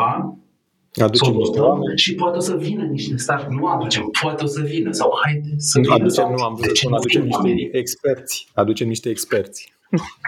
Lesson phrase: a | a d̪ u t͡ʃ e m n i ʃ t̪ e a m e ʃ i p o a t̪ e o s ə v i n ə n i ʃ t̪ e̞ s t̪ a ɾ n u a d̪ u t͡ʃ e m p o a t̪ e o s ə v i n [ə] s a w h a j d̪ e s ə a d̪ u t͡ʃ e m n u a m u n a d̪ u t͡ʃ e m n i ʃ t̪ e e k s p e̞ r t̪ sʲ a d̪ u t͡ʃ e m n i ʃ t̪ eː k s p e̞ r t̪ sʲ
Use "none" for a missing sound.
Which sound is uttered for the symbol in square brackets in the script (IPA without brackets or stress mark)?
ə